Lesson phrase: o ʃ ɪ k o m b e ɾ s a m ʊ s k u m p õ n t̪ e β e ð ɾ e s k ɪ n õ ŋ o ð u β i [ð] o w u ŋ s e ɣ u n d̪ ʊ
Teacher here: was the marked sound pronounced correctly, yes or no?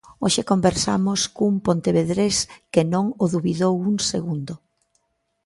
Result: yes